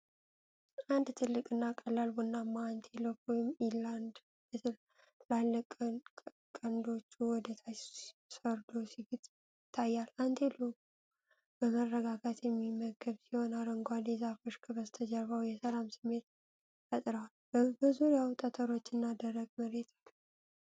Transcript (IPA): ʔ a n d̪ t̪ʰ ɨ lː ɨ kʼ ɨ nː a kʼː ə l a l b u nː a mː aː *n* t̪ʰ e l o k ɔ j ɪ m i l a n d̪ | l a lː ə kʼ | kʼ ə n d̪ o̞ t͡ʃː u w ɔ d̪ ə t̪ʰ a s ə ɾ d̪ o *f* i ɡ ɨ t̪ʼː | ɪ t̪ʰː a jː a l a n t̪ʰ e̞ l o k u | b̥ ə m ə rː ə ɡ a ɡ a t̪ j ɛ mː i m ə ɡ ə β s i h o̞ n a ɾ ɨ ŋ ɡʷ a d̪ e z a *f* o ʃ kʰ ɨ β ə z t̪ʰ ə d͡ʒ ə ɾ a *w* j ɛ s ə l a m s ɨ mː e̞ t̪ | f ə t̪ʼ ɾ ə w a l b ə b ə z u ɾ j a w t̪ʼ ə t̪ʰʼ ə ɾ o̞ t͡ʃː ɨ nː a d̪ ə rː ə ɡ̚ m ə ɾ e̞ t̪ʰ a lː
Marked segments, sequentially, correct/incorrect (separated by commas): correct, incorrect, correct, correct